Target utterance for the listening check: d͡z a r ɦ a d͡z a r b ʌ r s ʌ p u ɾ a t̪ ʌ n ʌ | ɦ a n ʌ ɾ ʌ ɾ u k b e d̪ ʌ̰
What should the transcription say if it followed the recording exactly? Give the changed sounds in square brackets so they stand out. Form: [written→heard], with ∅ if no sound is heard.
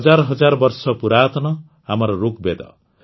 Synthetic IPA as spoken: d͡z a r ɦ [a→ʌ] d͡z a r b ʌ r s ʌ p u ɾ a t̪ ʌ n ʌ | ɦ a [n→m] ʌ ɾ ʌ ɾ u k b e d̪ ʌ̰